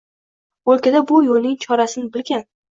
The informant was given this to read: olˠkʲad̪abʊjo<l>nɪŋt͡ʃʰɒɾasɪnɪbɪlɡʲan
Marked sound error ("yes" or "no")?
no